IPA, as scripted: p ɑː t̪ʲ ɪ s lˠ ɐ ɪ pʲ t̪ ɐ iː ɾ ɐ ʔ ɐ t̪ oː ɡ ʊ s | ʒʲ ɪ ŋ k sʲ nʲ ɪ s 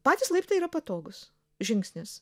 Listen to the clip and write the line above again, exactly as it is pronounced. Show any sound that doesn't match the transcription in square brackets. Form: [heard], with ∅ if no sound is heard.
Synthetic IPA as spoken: p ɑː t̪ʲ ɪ s lˠ ɐ ɪ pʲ t̪ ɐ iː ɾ ɐ [p] ɐ t̪ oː ɡ ʊ s | ʒʲ ɪ ŋ k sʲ nʲ ɪ s

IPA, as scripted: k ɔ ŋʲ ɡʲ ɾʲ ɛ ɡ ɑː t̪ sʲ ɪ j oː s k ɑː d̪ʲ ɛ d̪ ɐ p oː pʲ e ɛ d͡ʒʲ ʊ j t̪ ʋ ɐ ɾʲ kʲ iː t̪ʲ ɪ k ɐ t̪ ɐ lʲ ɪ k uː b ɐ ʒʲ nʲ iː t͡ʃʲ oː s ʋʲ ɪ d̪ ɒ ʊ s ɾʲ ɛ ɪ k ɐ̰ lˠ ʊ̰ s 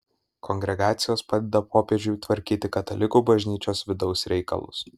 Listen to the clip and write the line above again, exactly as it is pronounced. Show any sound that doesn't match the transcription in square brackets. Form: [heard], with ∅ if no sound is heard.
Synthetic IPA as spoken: k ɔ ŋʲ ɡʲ ɾʲ ɛ ɡ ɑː t̪ sʲ ɪ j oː s [p] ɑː d̪ʲ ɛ d̪ ɐ p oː pʲ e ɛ d͡ʒʲ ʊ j t̪ ʋ ɐ ɾʲ kʲ iː t̪ʲ ɪ k ɐ t̪ ɐ lʲ ɪ k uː b ɐ ʒʲ nʲ iː t͡ʃʲ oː s ʋʲ ɪ d̪ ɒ ʊ s ɾʲ ɛ ɪ k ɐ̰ lˠ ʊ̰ s

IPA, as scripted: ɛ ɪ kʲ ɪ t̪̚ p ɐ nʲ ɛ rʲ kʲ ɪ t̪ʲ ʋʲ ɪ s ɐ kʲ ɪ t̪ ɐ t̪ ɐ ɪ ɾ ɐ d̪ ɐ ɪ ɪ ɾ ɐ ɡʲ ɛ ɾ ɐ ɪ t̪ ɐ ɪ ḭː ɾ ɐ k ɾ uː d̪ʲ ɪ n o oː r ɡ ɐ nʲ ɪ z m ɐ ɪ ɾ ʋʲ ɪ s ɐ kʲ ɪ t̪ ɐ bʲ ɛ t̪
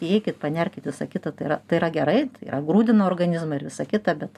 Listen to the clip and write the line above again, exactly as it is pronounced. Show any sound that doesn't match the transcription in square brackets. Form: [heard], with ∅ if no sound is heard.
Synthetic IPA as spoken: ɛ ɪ kʲ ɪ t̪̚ p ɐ nʲ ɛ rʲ kʲ ɪ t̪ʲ ʋʲ ɪ s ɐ kʲ ɪ t̪ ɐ t̪ ɐ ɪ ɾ ɐ [t̪] ɐ ɪ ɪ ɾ ɐ ɡʲ ɛ ɾ ɐ ɪ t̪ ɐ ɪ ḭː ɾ ɐ [ɡ] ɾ uː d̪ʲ ɪ n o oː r ɡ ɐ nʲ ɪ z m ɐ ɪ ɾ ʋʲ ɪ s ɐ kʲ ɪ t̪ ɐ bʲ ɛ t̪

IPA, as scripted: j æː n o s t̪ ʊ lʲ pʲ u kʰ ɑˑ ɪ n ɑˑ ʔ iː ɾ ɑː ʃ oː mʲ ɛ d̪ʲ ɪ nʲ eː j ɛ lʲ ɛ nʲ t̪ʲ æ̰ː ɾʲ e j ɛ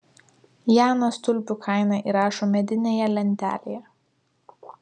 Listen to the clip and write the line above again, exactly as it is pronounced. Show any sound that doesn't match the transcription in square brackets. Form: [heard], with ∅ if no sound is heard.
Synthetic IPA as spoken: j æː n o s t̪ ʊ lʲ pʲ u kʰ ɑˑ ɪ n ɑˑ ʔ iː ɾ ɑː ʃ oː mʲ ɛ d̪ʲ ɪ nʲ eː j ɛ lʲ ɛ nʲ t̪ʲ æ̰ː [lʲ] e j ɛ

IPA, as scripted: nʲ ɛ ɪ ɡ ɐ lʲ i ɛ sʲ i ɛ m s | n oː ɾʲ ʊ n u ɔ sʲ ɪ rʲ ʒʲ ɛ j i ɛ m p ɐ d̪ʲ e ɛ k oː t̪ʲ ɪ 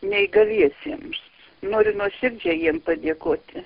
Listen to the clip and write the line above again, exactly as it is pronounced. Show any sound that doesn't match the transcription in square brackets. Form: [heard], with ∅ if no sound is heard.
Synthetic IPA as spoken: nʲ ɛ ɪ ɡ ɐ lʲ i ɛ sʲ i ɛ m s | n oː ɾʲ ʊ n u ɔ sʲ ɪ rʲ [d͡ʒʲ] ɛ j i ɛ m p ɐ d̪ʲ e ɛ k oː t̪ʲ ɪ

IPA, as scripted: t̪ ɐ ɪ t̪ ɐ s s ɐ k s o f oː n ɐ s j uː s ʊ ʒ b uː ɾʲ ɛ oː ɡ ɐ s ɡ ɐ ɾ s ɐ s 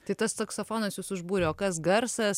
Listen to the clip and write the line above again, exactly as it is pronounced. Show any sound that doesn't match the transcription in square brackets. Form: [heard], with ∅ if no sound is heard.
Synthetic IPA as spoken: t̪ ɐ ɪ t̪ ɐ s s ɐ k s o f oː n ɐ s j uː s ʊ ʒ b uː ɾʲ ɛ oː [k] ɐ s ɡ ɐ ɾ s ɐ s

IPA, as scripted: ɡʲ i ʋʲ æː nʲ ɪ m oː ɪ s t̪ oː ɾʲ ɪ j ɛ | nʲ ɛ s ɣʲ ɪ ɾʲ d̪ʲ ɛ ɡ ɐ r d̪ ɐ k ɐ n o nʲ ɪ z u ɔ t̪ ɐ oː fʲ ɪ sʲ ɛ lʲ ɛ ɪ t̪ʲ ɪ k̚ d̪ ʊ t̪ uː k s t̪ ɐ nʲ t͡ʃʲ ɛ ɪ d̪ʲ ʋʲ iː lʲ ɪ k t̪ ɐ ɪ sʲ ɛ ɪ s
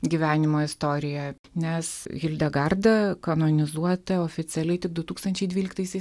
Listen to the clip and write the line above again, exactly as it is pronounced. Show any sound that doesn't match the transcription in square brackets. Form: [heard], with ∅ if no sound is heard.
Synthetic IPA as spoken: ɡʲ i ʋʲ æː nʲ ɪ m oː ɪ s t̪ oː ɾʲ ɪ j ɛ | nʲ ɛ s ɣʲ ɪ [lʲ] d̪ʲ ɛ ɡ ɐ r d̪ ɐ k ɐ n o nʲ ɪ z u ɔ t̪ ɐ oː fʲ ɪ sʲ ɛ lʲ ɛ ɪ t̪ʲ ɪ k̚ d̪ ʊ t̪ uː k s t̪ ɐ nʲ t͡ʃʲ ɛ ɪ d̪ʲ ʋʲ iː lʲ ɪ k t̪ ɐ ɪ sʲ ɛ ɪ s

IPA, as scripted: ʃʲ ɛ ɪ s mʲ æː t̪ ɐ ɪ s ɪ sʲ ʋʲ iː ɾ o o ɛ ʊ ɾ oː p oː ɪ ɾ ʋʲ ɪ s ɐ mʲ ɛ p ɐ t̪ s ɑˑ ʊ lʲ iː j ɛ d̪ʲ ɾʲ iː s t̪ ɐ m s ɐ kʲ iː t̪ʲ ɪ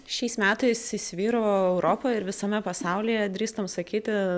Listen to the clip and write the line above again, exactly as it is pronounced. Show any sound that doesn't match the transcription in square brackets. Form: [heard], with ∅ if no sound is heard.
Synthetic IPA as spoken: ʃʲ ɛ ɪ s mʲ æː t̪ ɐ ɪ s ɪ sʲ ʋʲ iː ɾ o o ɛ ʊ ɾ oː p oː ɪ ɾ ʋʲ ɪ s ɐ mʲ ɛ p ɐ [∅] s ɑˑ ʊ lʲ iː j ɛ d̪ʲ ɾʲ iː s t̪ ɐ m s ɐ kʲ iː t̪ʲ ɪ

